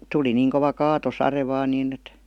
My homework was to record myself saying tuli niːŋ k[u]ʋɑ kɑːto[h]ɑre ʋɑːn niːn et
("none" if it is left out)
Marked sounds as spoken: o, s

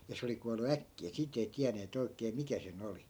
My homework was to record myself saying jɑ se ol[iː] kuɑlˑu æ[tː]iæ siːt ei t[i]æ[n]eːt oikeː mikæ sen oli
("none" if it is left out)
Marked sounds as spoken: i, kː, i, n

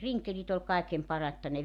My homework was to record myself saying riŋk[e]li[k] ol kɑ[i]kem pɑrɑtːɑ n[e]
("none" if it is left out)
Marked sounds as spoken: e, t, e, e

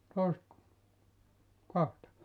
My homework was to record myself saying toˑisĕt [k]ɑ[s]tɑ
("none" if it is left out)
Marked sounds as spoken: k, h

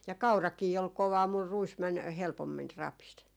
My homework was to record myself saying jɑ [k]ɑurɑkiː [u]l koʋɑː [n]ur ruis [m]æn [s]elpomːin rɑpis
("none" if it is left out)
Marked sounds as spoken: k, o, m, m, h

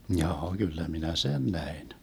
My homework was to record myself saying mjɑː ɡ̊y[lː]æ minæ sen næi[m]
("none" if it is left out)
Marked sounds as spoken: lː, n

